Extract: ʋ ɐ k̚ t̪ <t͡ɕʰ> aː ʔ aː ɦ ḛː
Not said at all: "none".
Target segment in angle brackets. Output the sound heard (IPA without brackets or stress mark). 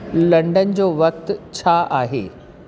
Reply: t͡ɕʰ